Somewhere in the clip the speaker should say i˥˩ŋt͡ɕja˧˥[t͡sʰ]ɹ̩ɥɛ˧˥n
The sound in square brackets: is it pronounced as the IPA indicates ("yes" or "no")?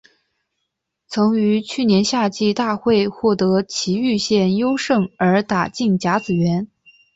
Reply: no